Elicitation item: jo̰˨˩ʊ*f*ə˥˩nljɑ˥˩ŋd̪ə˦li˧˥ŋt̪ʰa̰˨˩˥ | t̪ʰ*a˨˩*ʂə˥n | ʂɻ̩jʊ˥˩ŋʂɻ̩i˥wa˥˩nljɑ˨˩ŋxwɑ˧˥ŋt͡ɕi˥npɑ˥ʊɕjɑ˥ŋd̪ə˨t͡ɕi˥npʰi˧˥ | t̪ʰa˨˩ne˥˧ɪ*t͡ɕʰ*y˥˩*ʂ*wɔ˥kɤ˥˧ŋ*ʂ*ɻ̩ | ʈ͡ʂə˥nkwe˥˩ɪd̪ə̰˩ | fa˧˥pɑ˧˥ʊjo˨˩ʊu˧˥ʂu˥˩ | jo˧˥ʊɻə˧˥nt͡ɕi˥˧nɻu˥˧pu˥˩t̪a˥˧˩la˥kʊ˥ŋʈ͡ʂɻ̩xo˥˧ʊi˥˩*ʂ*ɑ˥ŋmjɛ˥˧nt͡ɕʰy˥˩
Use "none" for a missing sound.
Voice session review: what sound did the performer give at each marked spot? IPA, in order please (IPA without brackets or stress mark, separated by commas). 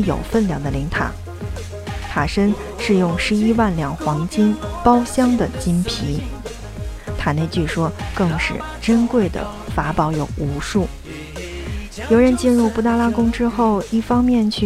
f, a˨˩, t͡ɕ, ʂ, ʂ, f